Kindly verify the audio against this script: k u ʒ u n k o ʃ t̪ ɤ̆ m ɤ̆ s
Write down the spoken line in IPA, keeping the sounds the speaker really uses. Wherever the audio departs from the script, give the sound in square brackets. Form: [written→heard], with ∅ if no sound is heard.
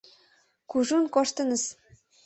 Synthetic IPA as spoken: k u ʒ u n k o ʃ t̪ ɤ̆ [m→n] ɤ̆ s